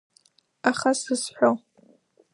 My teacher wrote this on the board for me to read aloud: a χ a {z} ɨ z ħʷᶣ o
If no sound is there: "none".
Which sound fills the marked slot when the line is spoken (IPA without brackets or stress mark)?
s